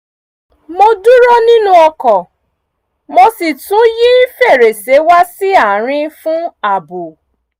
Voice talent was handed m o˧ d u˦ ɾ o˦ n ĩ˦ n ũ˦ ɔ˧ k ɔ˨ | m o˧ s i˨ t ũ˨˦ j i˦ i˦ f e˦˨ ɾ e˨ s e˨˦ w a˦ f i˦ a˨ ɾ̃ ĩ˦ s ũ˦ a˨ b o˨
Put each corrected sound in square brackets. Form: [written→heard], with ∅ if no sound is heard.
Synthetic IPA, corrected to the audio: m o˧ d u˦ ɾ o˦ n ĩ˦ n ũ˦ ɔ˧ k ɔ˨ | m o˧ s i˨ t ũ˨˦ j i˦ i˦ f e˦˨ ɾ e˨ s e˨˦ w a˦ [f→s] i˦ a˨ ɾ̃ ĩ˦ [s→f] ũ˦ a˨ b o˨